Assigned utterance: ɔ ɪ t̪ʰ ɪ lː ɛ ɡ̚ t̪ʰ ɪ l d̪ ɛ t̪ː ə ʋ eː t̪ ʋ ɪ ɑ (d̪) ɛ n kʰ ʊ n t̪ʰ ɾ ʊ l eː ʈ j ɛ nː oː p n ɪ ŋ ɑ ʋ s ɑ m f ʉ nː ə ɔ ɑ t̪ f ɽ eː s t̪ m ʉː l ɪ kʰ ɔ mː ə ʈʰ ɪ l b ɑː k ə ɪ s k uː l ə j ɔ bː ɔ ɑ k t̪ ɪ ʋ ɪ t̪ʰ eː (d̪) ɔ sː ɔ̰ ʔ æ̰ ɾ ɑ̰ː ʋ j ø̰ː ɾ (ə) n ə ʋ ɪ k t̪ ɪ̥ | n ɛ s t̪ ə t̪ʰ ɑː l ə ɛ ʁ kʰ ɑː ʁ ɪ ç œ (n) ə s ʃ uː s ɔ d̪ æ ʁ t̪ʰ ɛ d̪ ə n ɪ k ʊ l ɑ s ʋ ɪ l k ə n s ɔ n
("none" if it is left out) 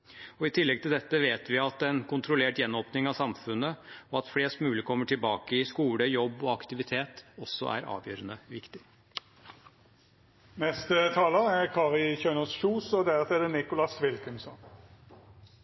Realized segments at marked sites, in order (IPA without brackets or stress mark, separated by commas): t̪, t̪, ə, n